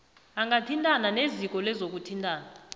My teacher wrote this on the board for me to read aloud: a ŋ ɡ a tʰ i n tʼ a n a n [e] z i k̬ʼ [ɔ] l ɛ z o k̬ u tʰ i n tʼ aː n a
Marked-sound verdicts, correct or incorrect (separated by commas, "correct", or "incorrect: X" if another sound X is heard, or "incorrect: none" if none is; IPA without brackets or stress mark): correct, correct